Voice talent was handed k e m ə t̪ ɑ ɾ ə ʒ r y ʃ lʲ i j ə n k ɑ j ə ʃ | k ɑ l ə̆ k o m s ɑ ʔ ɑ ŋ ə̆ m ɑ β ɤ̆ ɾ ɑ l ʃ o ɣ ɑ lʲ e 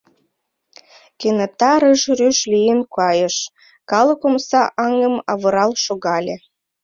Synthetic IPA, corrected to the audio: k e n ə t̪ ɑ ɾ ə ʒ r y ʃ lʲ i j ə n k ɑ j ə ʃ | k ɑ l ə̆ k o m s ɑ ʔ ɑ ŋ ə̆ m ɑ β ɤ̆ ɾ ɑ l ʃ o ɣ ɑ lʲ e